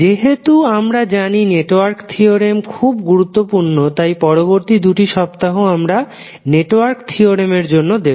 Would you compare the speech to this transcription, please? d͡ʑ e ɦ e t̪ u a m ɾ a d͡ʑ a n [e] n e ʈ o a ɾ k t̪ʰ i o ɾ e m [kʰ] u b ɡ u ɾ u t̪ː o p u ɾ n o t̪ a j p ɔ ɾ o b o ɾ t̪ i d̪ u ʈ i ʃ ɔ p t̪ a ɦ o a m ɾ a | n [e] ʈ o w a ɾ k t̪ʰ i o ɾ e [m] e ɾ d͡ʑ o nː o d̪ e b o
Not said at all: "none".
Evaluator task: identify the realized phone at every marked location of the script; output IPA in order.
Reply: i, kʰ, e, m

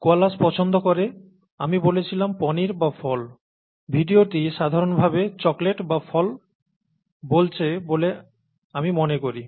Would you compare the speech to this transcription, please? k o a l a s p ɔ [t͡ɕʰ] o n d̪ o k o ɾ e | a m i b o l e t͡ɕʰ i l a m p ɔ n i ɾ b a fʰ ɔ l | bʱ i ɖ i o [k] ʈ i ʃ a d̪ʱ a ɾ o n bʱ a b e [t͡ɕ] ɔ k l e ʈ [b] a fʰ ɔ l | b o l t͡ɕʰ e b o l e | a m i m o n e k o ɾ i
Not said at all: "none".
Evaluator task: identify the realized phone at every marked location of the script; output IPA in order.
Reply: t͡ɕʰ, none, t͡ɕ, b

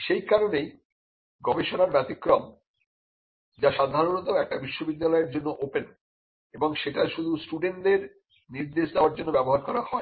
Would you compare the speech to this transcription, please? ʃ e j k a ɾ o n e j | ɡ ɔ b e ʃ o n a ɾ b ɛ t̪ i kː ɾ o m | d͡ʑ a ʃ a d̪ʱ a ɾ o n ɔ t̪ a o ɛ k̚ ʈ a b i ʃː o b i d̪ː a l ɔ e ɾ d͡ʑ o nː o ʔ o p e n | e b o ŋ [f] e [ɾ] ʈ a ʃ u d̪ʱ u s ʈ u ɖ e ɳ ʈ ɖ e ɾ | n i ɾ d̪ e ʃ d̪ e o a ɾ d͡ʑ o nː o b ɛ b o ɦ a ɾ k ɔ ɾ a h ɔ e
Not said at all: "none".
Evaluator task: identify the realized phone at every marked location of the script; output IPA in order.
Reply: ʃ, none

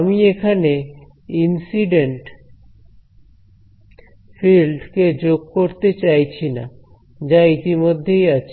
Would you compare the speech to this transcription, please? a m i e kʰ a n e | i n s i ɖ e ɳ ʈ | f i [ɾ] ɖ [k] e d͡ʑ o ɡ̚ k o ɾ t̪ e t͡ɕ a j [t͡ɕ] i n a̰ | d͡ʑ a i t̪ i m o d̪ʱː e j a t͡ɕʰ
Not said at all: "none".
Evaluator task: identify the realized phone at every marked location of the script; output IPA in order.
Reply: l, k, t͡ɕʰ

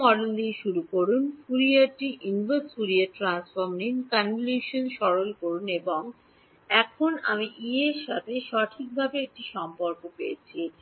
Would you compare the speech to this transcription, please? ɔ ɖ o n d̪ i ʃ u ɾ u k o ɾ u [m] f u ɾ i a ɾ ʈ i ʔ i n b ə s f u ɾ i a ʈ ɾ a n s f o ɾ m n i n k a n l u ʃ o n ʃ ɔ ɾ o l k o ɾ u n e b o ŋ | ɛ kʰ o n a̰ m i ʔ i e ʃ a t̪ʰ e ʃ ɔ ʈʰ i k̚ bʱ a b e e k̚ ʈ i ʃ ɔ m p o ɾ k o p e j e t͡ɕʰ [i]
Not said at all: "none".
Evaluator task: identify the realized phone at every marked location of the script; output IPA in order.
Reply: n, i

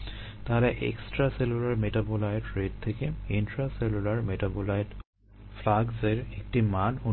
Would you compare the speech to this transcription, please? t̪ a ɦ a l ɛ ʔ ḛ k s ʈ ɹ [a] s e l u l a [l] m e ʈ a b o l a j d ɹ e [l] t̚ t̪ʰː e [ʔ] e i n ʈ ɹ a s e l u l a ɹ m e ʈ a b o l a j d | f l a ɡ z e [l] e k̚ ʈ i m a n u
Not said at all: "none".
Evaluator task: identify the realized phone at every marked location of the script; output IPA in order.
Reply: a, ɹ, none, k, ɹ

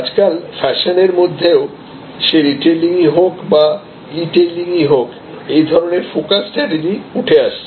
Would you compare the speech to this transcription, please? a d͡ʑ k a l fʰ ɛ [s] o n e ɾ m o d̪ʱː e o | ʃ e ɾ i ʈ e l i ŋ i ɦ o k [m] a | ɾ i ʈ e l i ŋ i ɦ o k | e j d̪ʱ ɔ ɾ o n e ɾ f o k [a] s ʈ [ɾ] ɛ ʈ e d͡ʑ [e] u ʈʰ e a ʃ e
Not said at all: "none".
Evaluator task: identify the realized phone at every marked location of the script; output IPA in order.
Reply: ʃ, b, a, ɾ, i

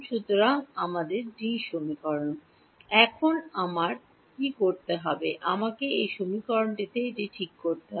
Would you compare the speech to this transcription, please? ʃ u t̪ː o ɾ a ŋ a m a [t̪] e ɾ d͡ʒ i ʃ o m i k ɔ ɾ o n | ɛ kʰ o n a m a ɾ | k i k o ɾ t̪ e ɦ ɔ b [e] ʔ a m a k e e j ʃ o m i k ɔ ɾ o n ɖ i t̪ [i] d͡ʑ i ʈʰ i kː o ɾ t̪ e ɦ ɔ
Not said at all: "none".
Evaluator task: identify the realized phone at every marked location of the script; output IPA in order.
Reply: d̪, e, e

